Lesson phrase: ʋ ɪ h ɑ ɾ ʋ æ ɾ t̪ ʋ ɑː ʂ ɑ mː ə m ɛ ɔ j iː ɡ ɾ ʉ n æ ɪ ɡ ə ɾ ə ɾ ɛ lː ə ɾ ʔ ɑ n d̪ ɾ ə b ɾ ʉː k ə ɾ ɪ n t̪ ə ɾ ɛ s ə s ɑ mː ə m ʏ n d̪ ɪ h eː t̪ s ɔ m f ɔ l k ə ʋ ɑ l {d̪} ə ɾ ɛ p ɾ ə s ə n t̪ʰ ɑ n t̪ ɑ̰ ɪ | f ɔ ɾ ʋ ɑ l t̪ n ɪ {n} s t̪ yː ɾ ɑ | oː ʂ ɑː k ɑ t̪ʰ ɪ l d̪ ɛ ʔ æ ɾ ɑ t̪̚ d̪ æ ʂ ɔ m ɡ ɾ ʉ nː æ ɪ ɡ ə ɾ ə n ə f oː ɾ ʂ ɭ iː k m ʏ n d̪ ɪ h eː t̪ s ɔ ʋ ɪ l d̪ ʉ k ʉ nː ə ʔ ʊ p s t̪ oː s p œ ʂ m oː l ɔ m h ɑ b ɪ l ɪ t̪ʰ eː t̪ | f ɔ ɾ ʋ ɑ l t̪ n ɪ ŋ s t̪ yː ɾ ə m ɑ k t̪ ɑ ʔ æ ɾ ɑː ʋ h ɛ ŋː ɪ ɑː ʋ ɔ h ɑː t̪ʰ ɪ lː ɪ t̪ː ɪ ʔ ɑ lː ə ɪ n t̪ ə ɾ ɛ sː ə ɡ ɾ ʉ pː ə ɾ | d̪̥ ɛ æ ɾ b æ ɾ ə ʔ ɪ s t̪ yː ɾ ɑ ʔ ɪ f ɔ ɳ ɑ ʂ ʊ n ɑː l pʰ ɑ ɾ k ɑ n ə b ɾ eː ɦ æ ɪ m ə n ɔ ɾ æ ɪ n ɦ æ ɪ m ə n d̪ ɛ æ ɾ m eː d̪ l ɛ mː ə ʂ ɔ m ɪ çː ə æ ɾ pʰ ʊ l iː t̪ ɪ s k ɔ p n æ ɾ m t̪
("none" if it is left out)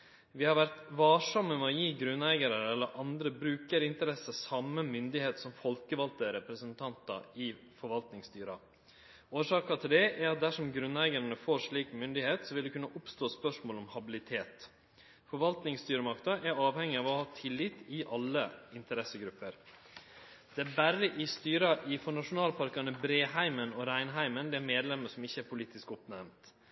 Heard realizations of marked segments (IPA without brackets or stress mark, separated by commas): t̪, ŋ